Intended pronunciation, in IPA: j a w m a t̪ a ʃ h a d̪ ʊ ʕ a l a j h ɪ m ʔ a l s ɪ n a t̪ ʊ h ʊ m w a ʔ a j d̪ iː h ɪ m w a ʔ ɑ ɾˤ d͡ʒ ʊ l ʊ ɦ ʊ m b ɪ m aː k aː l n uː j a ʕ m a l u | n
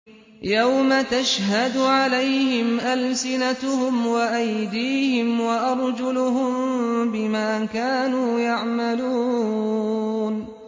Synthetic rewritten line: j a w m a t̪ a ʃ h a d̪ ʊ ʕ a l a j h ɪ m ʔ a l s ɪ n a t̪ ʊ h ʊ m w a ʔ a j d̪ iː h ɪ m w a ʔ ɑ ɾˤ d͡ʒ ʊ l ʊ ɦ ʊ m b ɪ m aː k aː n uː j a ʕ m a l uː | n

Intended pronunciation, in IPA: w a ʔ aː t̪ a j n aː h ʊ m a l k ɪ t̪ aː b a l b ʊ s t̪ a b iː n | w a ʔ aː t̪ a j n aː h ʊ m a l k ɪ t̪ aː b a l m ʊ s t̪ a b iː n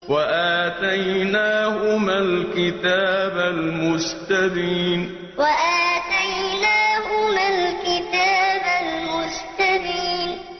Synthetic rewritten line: w a ʔ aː t̪ a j n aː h ʊ m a l k ɪ t̪ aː b a l m ʊ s t̪ a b iː n | w a ʔ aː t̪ a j n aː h ʊ m a l k ɪ t̪ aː b a l m ʊ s t̪ a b iː n

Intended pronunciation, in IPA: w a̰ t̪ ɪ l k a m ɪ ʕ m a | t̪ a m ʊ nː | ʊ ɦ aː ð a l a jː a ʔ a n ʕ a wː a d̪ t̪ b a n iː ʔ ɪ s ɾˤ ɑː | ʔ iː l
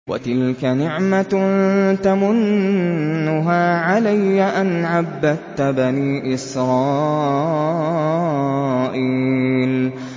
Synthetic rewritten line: w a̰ t̪ ɪ l k a n ɪ ʕ m a | t̪ a m ʊ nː | ʊ ɦ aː ʕ a l a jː a ʔ a n ʕ a bː a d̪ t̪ b a n iː ʔ ɪ s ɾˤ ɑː | ʔ iː l

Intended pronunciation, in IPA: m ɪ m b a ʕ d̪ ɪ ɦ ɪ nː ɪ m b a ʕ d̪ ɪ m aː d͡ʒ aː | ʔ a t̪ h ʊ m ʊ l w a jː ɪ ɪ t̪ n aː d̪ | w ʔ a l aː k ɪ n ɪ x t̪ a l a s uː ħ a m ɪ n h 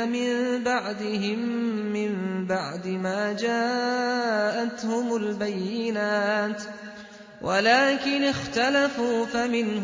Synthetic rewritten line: m ɪ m b a ʕ d̪ ɪ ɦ ɪ mː ɪ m b a ʕ d̪ ɪ m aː d͡ʒ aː | ʔ a t̪ h ʊ m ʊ l b a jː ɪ ɪ n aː t̪ | w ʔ a l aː k ɪ n ɪ x t̪ a l a f uː f a m ɪ n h

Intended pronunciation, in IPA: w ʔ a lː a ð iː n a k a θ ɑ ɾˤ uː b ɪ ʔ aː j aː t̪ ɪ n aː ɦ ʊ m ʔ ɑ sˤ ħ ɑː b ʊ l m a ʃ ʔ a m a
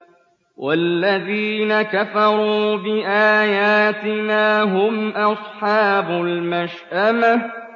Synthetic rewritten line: w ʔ a lː a ð iː n a k a f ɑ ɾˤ uː b ɪ ʔ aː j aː t̪ ɪ n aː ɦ ʊ m ʔ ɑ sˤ ħ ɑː b ʊ l m a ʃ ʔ a m a

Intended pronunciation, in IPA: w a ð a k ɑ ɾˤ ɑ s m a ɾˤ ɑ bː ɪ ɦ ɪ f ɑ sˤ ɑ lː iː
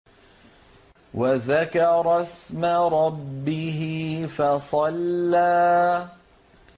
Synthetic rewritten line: w a ð a k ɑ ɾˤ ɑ s m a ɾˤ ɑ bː ɪ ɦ ɪ f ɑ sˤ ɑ lː aː

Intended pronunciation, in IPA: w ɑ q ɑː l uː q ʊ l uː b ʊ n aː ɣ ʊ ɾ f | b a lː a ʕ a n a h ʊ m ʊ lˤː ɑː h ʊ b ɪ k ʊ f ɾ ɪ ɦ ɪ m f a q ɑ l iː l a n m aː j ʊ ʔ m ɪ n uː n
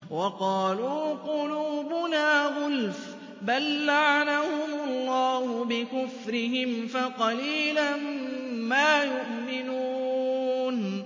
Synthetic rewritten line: w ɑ q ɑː l uː q ʊ l uː b ʊ n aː ɣ ʊ l f | b a lː a ʕ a n a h ʊ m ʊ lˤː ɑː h ʊ b ɪ k ʊ f ɾ ɪ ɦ ɪ m f a q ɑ l iː l a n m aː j ʊ ʔ m ɪ n uː n

